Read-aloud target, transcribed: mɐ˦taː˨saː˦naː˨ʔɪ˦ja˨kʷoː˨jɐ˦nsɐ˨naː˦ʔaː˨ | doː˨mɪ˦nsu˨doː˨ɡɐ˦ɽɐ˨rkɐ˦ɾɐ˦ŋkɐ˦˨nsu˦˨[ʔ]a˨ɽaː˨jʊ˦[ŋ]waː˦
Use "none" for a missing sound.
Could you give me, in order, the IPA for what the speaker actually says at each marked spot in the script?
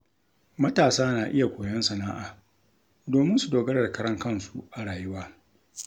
ʔ, none

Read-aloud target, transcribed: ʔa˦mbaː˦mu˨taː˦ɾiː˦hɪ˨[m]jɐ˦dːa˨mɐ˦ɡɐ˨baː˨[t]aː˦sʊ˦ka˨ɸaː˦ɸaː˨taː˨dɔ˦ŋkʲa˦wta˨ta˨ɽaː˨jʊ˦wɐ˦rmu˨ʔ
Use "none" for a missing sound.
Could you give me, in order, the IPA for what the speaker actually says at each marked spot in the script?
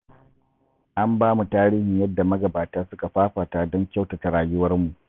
ɲ, t

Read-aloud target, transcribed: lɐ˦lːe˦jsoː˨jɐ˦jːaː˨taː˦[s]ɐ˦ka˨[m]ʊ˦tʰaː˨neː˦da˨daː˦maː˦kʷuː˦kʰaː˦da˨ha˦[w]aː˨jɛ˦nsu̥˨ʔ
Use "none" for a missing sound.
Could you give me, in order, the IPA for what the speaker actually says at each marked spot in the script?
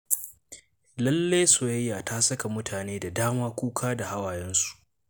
s, m, w

